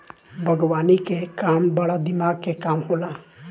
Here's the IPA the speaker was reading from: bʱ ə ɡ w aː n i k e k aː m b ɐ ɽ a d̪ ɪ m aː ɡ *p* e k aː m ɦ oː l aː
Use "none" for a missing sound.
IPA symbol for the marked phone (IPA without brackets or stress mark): k